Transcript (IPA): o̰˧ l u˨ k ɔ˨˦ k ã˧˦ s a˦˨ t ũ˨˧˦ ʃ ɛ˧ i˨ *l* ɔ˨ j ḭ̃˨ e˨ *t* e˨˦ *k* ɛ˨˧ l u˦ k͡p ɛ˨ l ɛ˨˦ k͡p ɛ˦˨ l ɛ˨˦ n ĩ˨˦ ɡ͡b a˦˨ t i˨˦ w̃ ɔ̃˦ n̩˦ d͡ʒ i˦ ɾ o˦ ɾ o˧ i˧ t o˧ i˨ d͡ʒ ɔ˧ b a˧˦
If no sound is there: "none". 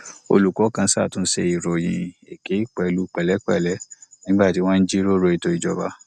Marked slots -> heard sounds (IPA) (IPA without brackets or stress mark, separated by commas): ɾ, k, k͡p